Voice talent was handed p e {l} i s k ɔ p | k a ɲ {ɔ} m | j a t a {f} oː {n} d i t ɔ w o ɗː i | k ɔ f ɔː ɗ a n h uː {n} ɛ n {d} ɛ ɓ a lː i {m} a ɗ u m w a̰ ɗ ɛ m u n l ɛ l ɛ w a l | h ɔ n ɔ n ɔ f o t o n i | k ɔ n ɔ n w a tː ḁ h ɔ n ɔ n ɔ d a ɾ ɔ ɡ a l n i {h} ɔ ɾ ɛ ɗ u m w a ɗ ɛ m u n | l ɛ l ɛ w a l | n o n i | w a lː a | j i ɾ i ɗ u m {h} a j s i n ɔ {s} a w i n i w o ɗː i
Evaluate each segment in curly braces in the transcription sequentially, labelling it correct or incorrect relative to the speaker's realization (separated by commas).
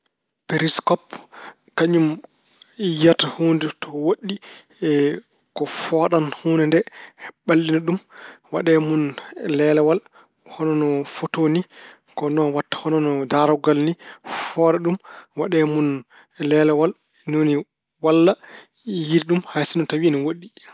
incorrect, incorrect, incorrect, correct, correct, correct, incorrect, incorrect, correct, incorrect